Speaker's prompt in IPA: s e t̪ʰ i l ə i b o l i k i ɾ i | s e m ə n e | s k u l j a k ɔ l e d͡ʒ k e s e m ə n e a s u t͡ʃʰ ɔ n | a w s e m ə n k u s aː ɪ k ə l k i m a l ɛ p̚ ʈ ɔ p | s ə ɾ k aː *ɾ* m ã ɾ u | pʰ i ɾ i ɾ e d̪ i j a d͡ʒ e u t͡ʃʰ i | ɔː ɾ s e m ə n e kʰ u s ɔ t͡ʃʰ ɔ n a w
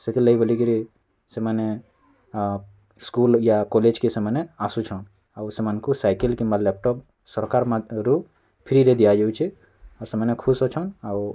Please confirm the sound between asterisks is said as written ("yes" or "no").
yes